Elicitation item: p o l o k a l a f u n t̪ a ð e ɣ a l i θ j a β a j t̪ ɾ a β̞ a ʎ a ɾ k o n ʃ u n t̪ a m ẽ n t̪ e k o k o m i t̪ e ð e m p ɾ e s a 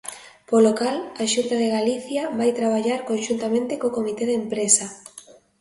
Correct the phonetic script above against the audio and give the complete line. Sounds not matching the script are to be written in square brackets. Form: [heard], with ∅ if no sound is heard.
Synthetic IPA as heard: p o l o k a l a [ʃ] u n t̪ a ð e ɣ a l i θ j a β a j t̪ ɾ a β̞ a ʎ a ɾ k o n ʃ u n t̪ a m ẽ n t̪ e k o k o m i t̪ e ð e m p ɾ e s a

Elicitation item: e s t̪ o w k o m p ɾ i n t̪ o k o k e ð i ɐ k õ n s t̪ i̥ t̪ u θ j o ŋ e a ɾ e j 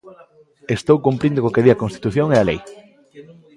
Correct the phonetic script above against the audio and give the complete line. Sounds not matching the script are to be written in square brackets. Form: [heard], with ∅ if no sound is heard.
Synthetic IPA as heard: e s t̪ o w k [u] m p ɾ i n [d̪] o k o k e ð i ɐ k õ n s t̪ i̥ t̪ u θ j o ŋ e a [l] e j

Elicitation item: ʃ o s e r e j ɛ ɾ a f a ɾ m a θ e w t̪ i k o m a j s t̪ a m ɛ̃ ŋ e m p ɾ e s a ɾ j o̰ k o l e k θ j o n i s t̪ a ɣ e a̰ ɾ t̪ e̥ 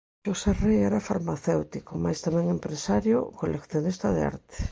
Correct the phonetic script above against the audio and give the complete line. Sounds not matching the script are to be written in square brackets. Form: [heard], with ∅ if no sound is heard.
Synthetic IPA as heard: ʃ o s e r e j ɛ ɾ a f a ɾ m a θ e w t̪ i k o m a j s t̪ a m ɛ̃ ŋ e m p ɾ e s a ɾ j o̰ k o l e k θ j o n i s t̪ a [ð] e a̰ ɾ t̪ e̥

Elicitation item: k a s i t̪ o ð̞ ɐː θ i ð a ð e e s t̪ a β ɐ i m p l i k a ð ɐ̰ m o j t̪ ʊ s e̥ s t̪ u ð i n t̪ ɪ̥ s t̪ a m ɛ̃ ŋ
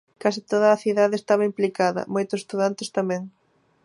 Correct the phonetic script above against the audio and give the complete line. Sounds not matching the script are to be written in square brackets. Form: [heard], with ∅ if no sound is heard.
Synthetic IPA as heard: k a s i t̪ o ð̞ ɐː θ i ð a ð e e s t̪ a β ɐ i m p l i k a ð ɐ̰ m o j t̪ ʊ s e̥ s t̪ u ð [a] n t̪ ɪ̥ s t̪ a m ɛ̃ ŋ

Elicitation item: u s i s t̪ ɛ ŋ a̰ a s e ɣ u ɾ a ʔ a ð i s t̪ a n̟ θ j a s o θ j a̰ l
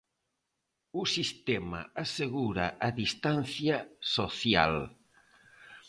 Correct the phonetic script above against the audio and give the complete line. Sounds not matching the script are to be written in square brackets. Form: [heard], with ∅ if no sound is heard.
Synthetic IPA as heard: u s i s t̪ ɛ [m] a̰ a s e ɣ u ɾ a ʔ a ð i s t̪ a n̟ θ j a s o θ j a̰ l

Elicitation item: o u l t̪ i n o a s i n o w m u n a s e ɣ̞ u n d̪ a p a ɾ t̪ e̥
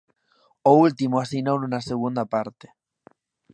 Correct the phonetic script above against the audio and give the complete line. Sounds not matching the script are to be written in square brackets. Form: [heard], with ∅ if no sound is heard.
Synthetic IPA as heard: o u l t̪ i [m] o a s i n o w [n] u n a s e ɣ̞ u n d̪ a p a ɾ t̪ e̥

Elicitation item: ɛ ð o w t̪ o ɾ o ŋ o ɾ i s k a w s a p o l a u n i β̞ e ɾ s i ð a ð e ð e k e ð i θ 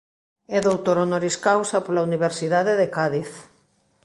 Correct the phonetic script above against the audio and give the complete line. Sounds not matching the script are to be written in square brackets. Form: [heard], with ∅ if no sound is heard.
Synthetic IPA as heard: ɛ ð o w t̪ o ɾ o [n] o ɾ i s k a w s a p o l a u n i β̞ e ɾ s i ð a ð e ð e k [a] ð i θ

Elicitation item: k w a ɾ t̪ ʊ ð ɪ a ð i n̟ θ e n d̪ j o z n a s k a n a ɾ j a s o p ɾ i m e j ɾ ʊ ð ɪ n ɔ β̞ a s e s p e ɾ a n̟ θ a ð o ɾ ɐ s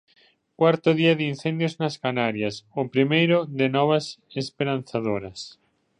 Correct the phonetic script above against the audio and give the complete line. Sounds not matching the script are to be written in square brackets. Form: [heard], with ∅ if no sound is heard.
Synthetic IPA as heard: k w a ɾ t̪ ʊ ð [i] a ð i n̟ θ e n d̪ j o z n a s k a n a ɾ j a s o p ɾ i m e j ɾ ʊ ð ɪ n ɔ β̞ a s e s p e ɾ a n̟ θ a ð o ɾ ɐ s

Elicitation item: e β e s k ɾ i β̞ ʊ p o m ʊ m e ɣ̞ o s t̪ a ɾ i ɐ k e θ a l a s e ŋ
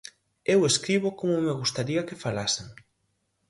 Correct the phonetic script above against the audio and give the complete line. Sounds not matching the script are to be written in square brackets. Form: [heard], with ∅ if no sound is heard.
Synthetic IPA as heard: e [w] e s k ɾ i β̞ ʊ [k] o m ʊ m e ɣ̞ [u] s t̪ a ɾ i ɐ k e [f] a l a s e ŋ

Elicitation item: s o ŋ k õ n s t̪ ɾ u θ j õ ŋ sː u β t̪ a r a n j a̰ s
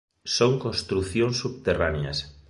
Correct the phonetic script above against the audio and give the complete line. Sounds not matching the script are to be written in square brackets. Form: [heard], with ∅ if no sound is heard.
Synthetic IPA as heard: s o ŋ k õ n s t̪ ɾ u θ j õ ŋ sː u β t̪ [e] r a n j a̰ s

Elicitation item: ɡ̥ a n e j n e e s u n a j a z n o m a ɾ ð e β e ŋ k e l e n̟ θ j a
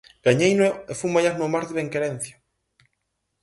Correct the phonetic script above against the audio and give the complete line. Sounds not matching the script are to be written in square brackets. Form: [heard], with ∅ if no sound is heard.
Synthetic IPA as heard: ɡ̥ a [ɲ] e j n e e [f] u [m] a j a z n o m a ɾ ð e β e ŋ k e [ɾ] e n̟ θ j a

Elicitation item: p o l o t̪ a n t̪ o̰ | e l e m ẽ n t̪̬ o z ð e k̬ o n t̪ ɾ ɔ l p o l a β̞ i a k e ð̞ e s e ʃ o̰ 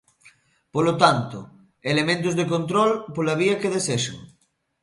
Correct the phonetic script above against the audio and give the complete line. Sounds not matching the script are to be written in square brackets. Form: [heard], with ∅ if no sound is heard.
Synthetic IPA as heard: p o l o t̪ a n t̪ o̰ | e l e m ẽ n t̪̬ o z ð e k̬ o n t̪ ɾ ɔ l p o l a β̞ i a k e ð̞ e s e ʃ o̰

